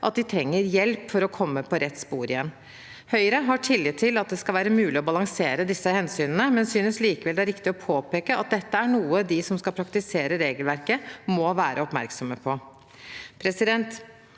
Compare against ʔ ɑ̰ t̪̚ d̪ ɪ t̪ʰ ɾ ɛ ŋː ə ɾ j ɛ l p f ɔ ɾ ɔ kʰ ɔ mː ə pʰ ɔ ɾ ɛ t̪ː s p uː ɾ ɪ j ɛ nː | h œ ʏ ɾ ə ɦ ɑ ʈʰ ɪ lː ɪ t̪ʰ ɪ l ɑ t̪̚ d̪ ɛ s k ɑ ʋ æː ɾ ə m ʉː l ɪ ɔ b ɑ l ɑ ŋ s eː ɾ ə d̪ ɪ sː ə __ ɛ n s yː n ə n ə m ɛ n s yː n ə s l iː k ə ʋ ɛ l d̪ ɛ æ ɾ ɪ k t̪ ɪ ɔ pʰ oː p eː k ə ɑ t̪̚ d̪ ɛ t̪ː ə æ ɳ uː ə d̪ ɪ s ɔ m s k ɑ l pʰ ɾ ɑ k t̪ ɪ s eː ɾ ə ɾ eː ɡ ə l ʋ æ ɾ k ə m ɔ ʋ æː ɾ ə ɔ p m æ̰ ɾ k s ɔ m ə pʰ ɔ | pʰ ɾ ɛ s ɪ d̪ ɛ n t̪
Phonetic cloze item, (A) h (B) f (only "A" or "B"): A